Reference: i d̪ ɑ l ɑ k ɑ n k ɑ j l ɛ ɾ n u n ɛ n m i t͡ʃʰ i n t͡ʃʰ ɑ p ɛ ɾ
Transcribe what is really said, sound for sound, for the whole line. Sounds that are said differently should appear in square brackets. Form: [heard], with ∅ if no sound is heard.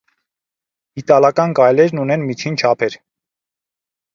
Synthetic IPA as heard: i [t̪] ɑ l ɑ k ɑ n k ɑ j l ɛ ɾ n u n ɛ n m i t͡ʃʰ i n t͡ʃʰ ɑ [pʰ] ɛ ɾ